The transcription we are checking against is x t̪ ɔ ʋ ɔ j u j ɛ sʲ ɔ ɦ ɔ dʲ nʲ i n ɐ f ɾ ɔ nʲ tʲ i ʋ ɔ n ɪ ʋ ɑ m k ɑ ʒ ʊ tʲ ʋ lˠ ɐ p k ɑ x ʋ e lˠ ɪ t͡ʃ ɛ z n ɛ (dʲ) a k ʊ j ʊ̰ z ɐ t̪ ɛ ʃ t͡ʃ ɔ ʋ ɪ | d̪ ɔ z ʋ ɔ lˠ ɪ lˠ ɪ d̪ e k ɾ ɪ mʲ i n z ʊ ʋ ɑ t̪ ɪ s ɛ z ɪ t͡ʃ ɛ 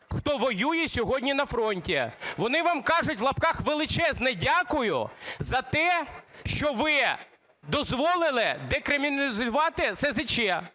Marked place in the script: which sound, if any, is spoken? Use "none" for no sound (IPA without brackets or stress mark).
dʲ